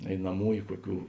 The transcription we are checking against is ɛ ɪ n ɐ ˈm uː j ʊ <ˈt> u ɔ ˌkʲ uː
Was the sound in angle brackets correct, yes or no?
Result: no